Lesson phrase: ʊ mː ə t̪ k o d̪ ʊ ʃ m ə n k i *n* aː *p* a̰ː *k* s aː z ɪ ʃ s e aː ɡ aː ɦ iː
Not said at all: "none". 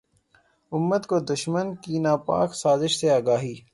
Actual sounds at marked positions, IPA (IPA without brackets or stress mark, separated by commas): n, p, k